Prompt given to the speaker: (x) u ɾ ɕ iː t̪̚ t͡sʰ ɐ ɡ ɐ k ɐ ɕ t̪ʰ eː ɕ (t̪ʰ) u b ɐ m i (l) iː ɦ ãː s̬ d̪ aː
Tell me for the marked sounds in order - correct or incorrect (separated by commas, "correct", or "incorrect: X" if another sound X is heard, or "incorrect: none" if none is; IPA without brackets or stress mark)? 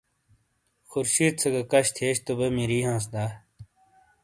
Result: correct, incorrect: t̪, incorrect: ɾ